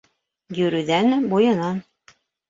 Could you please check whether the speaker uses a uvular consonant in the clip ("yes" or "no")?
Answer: no